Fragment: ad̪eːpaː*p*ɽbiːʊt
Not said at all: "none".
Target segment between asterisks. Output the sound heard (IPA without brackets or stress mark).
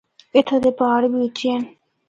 none